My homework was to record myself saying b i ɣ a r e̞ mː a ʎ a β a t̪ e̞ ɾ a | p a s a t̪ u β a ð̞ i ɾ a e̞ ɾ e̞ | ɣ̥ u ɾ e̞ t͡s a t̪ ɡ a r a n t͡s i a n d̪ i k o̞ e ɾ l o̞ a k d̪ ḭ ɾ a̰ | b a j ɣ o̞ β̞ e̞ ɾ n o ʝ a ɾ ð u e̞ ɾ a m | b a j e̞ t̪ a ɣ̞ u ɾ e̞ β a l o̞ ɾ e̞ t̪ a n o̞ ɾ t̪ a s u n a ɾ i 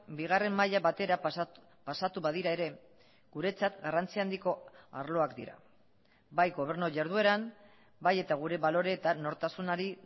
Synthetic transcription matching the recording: b i ɣ a r e̞ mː a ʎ a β a t̪ e̞ ɾ a | p a s a t̪ u β a ð̞ i ɾ a e̞ ɾ e̞ | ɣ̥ u ɾ e̞ t͡s a t̪ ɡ a r a n t͡s i a n d̪ i k o̞ a ɾ l o̞ a k d̪ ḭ ɾ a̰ | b a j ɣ o̞ β̞ e̞ ɾ n o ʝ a ɾ ð u e̞ ɾ a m | b a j e̞ t̪ a ɣ̞ u ɾ e̞ β a l o̞ ɾ e̞ t̪ a n o̞ ɾ t̪ a s u n a ɾ i